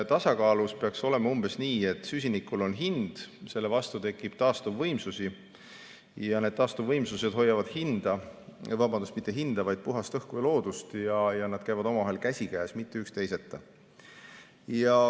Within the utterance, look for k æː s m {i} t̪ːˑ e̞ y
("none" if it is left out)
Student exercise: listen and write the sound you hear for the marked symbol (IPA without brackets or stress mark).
i